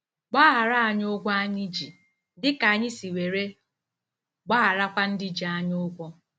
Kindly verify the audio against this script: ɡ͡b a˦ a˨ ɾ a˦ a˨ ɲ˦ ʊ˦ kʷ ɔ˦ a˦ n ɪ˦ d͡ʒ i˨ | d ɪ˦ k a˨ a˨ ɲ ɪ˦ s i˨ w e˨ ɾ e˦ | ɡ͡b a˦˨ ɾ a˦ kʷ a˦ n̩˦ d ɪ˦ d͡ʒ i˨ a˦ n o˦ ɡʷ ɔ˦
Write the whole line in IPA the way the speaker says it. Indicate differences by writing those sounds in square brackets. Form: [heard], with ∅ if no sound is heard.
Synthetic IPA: ɡ͡b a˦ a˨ ɾ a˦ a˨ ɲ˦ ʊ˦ [ɡʷ] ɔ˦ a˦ [ɲ] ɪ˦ d͡ʒ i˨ | d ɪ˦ k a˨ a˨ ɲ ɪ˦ s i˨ w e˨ ɾ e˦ | ɡ͡b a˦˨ ɾ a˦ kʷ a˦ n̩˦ d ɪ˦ d͡ʒ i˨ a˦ [ɲ] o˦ ɡʷ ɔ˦